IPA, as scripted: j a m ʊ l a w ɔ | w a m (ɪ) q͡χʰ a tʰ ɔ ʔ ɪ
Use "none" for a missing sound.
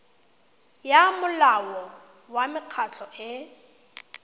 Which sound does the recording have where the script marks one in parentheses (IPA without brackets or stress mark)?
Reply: ɪ